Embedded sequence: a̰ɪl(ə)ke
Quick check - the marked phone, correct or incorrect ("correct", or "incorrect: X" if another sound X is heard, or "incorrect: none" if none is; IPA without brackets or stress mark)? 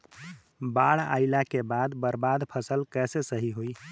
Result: incorrect: a